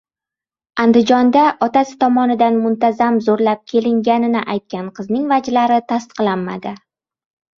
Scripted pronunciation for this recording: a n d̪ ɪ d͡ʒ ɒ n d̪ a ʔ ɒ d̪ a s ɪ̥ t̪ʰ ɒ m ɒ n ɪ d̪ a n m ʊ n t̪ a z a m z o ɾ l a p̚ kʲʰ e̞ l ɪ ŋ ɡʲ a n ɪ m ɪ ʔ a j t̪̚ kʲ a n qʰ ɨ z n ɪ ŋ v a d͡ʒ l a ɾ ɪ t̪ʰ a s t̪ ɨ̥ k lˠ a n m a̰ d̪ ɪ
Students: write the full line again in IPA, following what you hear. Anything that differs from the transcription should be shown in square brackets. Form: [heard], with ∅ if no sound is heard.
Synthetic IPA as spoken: a n d̪ ɪ d͡ʒ ɒ n d̪ a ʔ ɒ [t̪] a s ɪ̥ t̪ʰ ɒ m ɒ n ɪ d̪ a n m ʊ n t̪ a z a m z o ɾ l a p̚ kʲʰ e̞ l ɪ ŋ ɡʲ a n ɪ [n] ɪ ʔ a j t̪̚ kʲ a n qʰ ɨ z n ɪ ŋ v a d͡ʒ l a ɾ ɪ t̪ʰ a s t̪ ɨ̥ [q] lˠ a n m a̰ d̪ ɪ